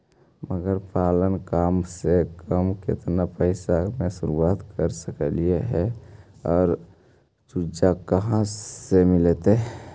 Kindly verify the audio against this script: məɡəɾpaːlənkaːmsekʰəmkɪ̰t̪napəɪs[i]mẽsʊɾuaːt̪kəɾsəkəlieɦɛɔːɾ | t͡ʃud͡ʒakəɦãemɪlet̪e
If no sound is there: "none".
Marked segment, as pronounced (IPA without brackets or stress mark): a